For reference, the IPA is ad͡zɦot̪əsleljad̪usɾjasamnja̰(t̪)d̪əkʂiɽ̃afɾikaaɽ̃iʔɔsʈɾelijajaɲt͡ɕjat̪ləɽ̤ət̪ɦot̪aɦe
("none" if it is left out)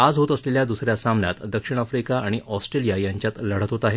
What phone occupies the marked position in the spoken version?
t̪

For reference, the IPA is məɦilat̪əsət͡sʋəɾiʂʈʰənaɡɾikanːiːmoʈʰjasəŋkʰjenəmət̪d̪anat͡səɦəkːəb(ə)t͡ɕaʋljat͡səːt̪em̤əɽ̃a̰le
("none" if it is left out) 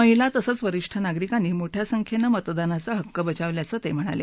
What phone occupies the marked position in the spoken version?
ə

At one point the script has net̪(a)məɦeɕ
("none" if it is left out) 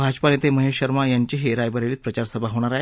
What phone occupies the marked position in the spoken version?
e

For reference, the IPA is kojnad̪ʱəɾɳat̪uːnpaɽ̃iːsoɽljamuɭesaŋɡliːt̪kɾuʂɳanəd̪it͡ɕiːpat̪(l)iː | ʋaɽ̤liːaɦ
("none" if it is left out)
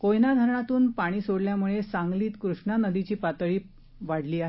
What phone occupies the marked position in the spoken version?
ɭ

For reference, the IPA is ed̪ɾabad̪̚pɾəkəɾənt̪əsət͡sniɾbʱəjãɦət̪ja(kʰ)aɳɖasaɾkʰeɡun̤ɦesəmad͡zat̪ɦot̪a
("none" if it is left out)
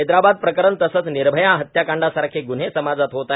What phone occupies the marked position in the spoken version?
k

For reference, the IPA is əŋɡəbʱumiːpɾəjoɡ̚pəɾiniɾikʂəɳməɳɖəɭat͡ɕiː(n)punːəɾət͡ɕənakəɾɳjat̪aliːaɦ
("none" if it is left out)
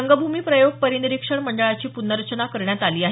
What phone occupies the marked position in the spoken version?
none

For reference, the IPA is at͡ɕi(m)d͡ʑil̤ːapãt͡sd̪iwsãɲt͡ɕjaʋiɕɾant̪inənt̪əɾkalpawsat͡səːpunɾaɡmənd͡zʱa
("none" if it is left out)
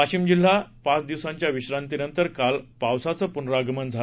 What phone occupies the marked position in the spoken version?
m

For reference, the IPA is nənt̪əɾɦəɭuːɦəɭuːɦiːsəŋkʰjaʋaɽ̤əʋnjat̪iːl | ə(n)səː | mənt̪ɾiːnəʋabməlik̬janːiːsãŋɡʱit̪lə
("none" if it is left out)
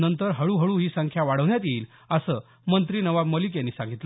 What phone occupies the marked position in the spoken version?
none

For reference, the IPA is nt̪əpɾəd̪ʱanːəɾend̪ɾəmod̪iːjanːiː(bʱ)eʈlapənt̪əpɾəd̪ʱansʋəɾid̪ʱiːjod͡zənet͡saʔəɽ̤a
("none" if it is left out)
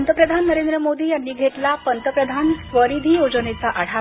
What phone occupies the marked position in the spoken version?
ɡʱ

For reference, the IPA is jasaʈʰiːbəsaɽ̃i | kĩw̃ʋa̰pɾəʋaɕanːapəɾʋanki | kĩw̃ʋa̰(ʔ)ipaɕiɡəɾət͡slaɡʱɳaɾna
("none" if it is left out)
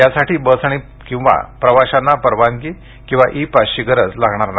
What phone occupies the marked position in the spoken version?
ʔ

